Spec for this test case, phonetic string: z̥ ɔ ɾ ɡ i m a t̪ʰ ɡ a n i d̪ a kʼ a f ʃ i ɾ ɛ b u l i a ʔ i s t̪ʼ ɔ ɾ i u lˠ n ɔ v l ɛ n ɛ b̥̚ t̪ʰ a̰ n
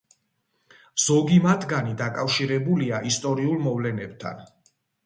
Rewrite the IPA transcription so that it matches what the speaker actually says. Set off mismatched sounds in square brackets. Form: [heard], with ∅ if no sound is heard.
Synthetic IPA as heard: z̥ ɔ [∅] ɡ i m a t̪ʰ ɡ a n i d̪ a kʼ a f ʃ i ɾ ɛ b u l i a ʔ i s t̪ʼ ɔ ɾ i u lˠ [m] ɔ v l ɛ n ɛ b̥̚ t̪ʰ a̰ n